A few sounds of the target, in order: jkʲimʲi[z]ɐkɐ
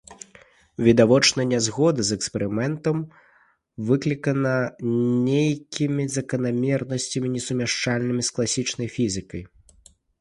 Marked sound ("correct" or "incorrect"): correct